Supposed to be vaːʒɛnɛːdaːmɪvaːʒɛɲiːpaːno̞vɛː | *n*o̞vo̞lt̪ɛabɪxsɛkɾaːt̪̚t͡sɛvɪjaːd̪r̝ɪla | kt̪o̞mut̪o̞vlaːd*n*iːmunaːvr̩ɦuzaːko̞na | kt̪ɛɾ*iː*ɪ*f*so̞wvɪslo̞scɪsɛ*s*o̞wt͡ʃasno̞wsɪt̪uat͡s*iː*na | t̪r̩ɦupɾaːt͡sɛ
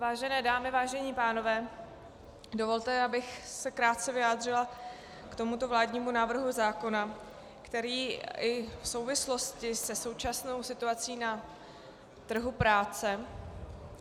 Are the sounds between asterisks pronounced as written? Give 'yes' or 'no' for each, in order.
no, no, yes, yes, yes, yes

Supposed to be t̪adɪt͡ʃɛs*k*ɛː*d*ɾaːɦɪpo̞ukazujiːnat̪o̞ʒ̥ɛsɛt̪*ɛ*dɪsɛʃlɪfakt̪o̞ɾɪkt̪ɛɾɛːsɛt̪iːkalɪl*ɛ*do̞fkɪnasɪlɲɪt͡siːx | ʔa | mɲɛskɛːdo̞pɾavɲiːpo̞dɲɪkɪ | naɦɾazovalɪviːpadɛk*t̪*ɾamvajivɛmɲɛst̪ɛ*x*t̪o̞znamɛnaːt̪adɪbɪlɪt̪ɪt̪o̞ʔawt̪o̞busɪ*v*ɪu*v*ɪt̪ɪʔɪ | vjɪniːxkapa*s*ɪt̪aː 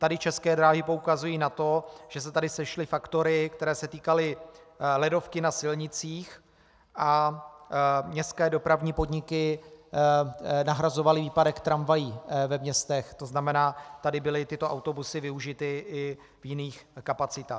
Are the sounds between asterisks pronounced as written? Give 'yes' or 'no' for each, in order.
yes, yes, no, yes, yes, yes, yes, no, no

